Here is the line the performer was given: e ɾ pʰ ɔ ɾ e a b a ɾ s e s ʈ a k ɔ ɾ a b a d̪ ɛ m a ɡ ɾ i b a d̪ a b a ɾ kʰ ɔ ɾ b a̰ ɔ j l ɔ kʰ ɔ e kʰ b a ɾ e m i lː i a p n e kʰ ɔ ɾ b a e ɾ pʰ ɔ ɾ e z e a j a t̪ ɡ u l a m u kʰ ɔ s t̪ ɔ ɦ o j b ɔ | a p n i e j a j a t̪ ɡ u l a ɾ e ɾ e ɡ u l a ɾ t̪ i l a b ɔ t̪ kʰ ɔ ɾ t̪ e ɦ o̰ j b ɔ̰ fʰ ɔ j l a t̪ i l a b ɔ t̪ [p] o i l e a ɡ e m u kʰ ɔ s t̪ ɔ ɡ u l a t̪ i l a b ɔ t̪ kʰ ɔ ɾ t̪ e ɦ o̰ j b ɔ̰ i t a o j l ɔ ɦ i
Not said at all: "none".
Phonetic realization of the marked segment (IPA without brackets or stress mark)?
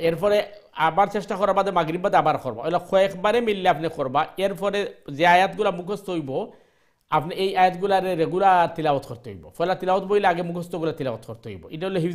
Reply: b